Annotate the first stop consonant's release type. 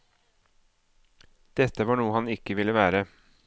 plain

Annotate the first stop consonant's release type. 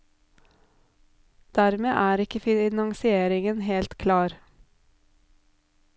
plain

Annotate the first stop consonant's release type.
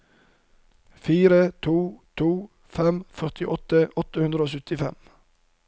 aspirated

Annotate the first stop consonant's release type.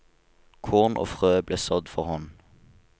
aspirated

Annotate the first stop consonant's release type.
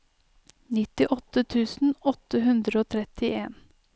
plain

